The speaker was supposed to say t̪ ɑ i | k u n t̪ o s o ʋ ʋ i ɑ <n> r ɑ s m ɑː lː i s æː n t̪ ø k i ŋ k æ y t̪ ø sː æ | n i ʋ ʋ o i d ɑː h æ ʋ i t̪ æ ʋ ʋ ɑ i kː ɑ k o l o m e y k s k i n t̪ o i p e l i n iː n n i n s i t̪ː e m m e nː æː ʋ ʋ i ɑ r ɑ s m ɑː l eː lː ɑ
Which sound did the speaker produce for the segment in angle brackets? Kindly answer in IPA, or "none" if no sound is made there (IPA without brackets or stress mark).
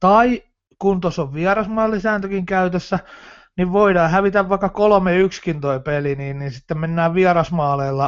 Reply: none